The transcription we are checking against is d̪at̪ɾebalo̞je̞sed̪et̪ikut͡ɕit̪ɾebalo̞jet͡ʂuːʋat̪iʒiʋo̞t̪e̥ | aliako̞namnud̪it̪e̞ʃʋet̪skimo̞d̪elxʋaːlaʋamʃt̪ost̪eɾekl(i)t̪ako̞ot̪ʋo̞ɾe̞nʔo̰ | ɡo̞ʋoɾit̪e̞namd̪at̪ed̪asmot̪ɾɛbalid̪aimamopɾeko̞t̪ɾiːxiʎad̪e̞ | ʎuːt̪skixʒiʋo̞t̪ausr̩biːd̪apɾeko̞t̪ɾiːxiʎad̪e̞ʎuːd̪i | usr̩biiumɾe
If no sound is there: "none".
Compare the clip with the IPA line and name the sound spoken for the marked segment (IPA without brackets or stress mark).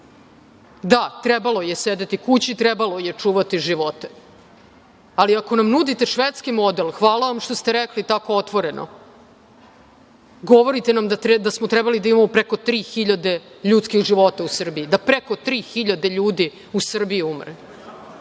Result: i